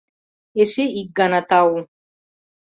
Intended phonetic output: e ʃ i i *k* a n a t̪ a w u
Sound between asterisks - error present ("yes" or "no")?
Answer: yes